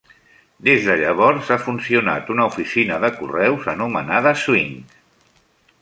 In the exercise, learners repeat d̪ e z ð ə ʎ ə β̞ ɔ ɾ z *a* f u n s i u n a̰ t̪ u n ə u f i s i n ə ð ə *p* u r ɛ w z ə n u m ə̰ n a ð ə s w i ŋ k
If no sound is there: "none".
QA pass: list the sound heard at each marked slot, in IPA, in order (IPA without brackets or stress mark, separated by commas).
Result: a, k